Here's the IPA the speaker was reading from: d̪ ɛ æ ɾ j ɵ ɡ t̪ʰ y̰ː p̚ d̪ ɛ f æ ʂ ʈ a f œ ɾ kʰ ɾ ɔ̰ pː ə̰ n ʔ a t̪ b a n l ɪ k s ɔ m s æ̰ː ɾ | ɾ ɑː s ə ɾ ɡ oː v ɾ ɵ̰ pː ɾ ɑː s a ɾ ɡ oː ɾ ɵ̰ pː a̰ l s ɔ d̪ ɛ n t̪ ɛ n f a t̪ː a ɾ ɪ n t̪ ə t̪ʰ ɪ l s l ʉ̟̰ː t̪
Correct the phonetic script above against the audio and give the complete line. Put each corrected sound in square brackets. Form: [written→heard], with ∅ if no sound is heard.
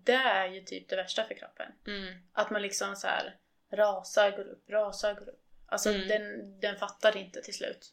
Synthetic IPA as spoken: d̪ ɛ æ ɾ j ɵ [ɡ→∅] t̪ʰ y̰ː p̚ d̪ ɛ [f→v] æ ʂ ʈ a f œ ɾ kʰ ɾ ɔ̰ pː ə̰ n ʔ a t̪ [b→m] a n l ɪ k s ɔ m s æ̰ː ɾ | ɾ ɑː s [ə→a] ɾ ɡ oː [v→∅] ɾ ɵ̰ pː ɾ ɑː s a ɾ ɡ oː ɾ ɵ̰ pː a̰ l s ɔ d̪ ɛ n [t̪→d̪] ɛ n f a t̪ː a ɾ ɪ n t̪ ə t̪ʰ ɪ l s l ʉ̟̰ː t̪